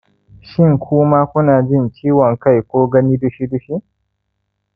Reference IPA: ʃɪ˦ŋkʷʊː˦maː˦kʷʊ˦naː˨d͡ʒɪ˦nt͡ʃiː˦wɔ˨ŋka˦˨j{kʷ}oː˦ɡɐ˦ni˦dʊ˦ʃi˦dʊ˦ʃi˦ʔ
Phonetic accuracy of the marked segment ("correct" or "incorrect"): correct